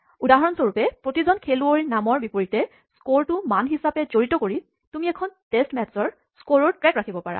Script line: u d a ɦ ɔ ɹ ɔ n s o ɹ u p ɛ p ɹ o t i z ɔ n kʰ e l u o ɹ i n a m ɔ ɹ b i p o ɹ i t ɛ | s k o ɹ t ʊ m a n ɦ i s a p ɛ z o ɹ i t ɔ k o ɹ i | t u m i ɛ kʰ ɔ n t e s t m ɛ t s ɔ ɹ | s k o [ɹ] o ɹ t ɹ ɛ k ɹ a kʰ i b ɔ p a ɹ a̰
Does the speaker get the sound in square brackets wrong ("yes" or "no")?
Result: no